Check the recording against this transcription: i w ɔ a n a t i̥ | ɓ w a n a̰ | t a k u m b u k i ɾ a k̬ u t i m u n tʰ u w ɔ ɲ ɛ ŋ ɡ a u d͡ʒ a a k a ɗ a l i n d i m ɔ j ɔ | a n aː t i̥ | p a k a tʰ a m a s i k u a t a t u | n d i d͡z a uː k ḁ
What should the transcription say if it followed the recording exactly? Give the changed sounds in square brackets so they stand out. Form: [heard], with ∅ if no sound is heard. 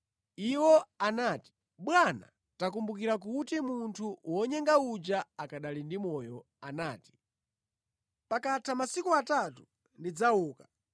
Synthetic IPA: i w ɔ a n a t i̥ | ɓ w a n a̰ | t a k u m b u k i ɾ a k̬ u t i m u n tʰ u w ɔ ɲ ɛ ŋ ɡ a u d͡ʒ a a k a ɗ a l i n d i m ɔ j ɔ | a n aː t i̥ | p a k a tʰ a m a s i k u a t a t u | n d i d͡z a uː k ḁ